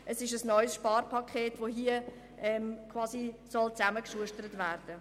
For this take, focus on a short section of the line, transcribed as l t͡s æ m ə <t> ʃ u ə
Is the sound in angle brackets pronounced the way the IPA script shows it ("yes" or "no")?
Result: no